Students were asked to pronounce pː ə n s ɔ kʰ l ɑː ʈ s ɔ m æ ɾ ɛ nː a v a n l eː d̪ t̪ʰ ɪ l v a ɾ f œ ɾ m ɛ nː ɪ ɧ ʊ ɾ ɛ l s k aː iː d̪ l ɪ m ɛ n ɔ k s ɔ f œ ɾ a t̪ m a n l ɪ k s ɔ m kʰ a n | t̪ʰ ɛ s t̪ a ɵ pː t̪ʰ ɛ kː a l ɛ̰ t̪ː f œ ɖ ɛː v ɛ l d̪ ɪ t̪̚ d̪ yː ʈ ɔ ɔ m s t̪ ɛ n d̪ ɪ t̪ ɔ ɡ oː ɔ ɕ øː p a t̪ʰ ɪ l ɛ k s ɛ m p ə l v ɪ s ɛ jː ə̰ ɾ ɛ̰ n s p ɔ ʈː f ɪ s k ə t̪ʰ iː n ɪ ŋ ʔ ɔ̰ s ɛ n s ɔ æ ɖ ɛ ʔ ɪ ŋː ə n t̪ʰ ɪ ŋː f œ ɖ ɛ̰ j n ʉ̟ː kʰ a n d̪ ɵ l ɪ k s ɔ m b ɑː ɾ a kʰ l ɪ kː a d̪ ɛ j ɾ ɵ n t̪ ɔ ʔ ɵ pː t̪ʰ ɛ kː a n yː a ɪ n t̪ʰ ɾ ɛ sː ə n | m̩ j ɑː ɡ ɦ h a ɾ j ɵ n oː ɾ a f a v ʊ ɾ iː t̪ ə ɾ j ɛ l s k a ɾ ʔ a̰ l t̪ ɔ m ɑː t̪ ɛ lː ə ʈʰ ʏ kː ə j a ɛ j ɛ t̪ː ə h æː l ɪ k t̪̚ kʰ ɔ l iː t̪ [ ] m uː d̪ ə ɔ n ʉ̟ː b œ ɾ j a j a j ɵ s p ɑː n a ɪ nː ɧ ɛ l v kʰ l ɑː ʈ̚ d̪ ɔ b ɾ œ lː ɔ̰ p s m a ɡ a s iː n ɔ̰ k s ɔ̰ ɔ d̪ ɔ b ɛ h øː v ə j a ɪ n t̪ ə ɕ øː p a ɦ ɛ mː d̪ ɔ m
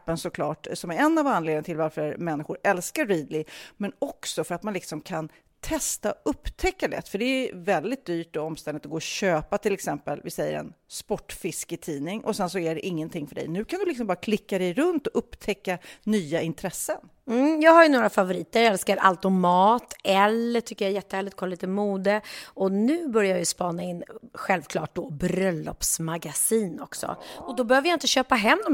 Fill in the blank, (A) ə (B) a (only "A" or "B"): A